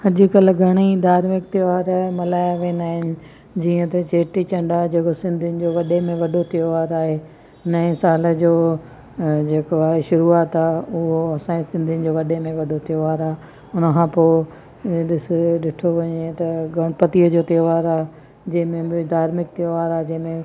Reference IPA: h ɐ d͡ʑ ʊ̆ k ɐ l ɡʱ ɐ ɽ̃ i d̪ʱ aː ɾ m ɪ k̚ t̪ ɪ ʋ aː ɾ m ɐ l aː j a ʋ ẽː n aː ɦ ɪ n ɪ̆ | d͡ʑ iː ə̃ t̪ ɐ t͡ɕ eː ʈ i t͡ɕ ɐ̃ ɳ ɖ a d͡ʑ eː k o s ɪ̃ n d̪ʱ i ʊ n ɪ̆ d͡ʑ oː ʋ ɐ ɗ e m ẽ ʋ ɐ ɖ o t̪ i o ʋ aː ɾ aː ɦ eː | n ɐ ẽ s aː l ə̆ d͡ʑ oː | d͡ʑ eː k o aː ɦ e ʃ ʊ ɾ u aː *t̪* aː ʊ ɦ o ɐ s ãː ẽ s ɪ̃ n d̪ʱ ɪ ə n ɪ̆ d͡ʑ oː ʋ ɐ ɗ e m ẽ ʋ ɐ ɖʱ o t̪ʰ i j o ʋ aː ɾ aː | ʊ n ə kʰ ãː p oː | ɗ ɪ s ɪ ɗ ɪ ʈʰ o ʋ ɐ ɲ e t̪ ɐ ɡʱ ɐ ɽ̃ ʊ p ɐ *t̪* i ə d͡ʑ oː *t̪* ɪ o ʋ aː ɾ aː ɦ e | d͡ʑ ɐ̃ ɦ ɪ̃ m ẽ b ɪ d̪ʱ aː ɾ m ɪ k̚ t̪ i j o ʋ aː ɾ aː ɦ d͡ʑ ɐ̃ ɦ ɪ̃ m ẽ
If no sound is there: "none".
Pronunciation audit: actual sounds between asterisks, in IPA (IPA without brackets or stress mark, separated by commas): t̪, t̪, t̪